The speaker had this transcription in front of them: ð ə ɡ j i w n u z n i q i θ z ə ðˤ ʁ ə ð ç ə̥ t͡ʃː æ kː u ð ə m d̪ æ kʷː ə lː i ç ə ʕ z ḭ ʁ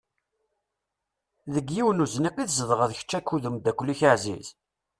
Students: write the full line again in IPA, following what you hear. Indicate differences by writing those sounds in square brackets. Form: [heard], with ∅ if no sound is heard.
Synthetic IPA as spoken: ð ə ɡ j i w n u z n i q i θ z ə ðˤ ʁ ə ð ç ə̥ t͡ʃː æ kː u ð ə m d̪ æ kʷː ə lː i ç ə ʕ z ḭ [z]